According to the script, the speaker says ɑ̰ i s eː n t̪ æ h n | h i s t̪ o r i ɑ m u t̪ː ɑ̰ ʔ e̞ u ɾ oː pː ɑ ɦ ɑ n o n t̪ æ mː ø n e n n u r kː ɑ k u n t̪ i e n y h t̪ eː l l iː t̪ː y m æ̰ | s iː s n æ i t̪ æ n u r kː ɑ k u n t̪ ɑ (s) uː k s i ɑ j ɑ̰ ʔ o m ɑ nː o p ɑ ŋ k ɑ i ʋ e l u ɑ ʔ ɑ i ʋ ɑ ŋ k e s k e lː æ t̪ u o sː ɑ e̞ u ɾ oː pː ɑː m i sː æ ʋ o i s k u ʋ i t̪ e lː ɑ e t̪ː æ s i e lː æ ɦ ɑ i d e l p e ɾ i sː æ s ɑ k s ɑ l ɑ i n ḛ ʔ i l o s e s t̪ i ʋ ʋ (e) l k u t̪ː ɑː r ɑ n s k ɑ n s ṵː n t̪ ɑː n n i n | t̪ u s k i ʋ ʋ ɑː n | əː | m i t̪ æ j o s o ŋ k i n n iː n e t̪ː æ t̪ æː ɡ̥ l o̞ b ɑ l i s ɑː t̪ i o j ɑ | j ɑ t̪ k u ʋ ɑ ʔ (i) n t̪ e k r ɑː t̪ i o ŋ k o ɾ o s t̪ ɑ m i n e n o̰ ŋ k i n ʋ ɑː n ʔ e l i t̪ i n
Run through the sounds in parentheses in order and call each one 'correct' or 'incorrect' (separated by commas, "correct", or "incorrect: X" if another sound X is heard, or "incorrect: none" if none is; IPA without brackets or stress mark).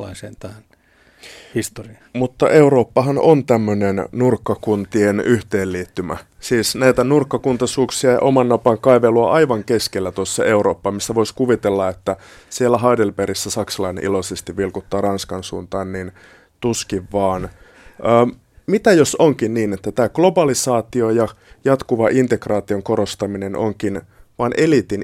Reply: correct, incorrect: i, correct